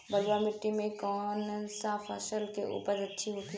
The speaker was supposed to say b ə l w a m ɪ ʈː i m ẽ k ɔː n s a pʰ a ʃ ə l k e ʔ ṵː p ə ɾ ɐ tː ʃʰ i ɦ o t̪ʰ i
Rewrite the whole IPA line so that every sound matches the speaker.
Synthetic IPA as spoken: b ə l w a m ɪ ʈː i m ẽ k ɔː n s a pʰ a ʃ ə l k e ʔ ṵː p ə ɾ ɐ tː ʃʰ i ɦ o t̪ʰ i